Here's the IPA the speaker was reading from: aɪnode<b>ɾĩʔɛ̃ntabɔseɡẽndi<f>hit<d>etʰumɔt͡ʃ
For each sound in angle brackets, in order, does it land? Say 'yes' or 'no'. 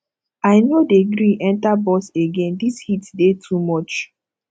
no, no, yes

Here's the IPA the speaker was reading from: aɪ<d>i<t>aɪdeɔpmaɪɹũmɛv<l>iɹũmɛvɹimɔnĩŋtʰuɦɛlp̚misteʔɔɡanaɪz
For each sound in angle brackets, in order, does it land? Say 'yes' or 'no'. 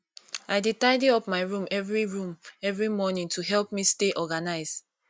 yes, yes, no

